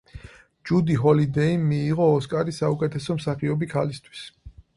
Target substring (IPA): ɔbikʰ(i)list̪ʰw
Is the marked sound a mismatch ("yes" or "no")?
yes